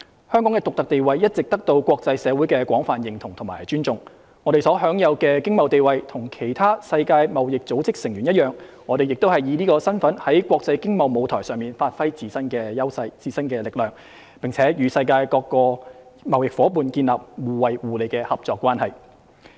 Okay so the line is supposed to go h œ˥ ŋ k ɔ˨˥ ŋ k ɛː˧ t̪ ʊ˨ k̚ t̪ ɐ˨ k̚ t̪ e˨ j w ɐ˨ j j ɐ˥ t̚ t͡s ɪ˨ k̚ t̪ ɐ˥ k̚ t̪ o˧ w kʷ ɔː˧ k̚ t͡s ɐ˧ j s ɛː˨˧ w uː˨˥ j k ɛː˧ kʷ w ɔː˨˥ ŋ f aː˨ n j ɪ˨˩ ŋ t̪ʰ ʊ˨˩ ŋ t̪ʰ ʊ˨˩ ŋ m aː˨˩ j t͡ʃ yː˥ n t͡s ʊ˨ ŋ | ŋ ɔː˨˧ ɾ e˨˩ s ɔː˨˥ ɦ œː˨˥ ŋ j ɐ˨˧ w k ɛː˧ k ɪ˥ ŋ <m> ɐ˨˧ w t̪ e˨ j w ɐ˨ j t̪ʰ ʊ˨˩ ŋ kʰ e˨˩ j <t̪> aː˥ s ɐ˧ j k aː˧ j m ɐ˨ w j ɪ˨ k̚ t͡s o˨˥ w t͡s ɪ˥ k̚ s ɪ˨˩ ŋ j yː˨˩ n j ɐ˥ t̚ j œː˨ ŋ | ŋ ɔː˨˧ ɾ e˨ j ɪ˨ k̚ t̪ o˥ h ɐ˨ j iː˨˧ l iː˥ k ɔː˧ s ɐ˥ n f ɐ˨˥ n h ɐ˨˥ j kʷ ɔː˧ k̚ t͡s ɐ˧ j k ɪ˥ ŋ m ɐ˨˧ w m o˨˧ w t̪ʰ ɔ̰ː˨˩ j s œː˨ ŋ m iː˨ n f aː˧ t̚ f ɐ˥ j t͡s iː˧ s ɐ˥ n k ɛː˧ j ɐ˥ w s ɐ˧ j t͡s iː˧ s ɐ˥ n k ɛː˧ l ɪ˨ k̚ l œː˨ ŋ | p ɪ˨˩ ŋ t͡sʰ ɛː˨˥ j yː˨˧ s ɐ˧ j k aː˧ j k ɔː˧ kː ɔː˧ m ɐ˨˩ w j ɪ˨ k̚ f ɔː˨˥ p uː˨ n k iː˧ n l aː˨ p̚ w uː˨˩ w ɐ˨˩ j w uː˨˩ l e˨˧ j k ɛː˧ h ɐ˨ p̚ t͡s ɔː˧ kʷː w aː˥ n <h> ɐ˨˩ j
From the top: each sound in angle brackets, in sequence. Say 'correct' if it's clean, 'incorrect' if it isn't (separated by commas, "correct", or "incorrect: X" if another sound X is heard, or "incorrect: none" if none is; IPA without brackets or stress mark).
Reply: correct, incorrect: t̪ʰ, correct